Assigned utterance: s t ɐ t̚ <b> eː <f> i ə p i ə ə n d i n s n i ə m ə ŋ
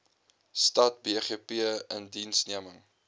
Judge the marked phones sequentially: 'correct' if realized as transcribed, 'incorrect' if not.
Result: correct, incorrect: χ

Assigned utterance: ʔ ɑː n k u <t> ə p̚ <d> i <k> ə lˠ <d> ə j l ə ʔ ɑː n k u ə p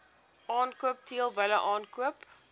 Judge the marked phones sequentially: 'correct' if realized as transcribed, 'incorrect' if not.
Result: incorrect: none, incorrect: t, incorrect: none, incorrect: b

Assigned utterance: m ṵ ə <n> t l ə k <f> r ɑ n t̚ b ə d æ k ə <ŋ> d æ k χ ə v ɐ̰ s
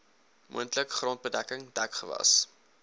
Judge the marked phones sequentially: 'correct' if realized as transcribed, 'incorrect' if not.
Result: correct, incorrect: χ, correct

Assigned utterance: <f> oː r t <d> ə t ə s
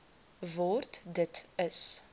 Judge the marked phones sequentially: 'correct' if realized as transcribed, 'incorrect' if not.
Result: incorrect: v, correct

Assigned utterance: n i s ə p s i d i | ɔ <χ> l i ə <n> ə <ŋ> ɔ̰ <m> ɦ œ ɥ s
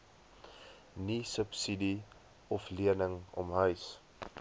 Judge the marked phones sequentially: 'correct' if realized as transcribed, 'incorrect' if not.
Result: incorrect: f, correct, correct, correct

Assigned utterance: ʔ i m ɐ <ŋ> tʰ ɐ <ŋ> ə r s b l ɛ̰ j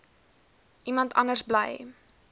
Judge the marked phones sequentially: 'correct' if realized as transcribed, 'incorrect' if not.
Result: incorrect: n, incorrect: n

